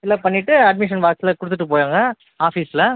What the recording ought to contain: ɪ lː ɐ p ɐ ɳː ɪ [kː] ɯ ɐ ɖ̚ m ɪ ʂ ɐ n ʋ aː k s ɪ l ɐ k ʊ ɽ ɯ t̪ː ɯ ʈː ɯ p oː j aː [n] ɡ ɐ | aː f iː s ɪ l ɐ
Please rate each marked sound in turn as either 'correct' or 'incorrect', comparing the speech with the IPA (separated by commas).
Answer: incorrect, incorrect